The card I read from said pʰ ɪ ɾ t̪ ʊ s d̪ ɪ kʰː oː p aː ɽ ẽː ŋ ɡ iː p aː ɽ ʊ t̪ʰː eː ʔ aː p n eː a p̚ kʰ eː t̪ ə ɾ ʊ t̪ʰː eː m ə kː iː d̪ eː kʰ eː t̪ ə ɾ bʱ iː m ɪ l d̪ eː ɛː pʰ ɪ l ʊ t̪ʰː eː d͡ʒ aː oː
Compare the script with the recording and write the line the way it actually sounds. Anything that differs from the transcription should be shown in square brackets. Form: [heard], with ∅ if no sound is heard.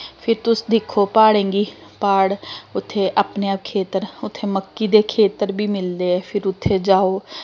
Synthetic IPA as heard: pʰ ɪ ɾ t̪ ʊ s d̪ ɪ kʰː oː p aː ɽ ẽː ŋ ɡ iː p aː ɽ ʊ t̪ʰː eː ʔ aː p n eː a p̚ kʰ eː t̪ ə ɾ ʊ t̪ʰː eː m ə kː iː d̪ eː kʰ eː t̪ ə ɾ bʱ iː m ɪ l d̪ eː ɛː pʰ ɪ [ɾ] ʊ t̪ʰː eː d͡ʒ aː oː